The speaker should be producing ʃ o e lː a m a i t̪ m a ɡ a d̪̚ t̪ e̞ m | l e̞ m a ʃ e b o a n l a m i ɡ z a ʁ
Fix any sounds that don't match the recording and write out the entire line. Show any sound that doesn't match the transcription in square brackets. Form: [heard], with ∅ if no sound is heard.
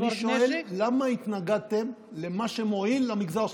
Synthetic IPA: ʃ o e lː a m a i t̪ [n] a ɡ a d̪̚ t̪ e̞ m | l e̞ m a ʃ e [m] o [i] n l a m i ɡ z a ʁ